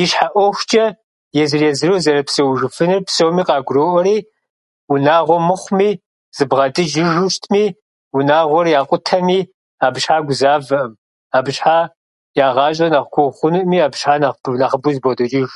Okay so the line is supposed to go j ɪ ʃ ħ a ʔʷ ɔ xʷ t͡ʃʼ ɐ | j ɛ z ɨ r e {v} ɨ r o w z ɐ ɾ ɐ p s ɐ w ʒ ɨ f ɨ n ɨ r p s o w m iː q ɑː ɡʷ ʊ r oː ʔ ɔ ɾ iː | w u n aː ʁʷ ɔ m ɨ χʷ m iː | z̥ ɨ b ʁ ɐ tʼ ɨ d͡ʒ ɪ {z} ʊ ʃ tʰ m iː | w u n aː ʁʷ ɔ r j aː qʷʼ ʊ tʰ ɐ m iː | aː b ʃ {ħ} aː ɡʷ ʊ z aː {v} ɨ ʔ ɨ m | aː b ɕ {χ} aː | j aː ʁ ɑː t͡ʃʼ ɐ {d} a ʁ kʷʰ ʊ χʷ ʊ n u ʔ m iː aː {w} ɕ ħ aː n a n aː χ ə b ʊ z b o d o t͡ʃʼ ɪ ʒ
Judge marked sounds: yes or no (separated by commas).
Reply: no, no, yes, yes, no, no, no